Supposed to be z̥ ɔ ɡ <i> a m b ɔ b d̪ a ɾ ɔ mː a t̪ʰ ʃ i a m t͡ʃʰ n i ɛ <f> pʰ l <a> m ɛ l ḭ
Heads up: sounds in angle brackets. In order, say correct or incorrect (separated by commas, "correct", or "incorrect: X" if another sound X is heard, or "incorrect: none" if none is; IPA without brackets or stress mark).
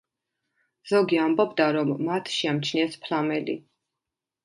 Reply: correct, incorrect: s, correct